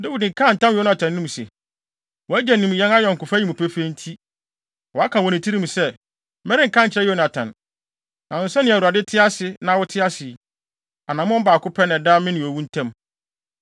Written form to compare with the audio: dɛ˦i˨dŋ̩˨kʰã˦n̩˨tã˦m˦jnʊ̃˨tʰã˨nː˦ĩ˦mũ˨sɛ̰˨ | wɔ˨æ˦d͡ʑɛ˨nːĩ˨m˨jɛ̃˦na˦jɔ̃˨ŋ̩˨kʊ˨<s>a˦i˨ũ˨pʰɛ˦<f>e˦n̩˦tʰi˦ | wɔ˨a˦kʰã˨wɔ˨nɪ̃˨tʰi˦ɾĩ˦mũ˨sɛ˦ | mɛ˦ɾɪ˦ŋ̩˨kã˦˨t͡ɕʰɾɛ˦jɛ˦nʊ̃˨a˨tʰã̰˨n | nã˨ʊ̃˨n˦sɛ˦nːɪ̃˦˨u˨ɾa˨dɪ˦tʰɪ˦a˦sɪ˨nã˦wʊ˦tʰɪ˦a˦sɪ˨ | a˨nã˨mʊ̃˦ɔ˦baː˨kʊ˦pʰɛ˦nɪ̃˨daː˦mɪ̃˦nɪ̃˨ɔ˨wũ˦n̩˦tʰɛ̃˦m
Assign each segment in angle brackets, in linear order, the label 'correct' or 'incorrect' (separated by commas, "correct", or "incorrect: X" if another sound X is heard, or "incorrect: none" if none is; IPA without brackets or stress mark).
incorrect: f, correct